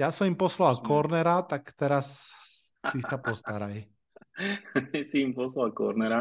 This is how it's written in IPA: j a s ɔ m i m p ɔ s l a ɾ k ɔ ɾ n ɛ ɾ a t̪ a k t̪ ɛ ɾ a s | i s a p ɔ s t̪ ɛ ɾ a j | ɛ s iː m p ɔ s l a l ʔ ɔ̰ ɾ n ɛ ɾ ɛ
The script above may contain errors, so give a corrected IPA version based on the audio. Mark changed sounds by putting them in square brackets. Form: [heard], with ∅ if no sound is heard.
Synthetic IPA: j a s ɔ m i m p ɔ s l a [l] k ɔ ɾ n ɛ ɾ a t̪ a k t̪ ɛ ɾ a s | i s a p ɔ s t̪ [a] ɾ a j | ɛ s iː m p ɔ s l a l [k] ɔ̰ ɾ n ɛ ɾ [a]